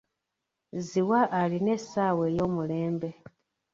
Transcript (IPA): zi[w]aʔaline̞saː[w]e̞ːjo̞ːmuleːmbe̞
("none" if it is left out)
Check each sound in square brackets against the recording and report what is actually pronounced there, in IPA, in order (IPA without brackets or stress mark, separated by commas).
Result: w, w